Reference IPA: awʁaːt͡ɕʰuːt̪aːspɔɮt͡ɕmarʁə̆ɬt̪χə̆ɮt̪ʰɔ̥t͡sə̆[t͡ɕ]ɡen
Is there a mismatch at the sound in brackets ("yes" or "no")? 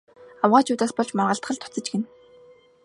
no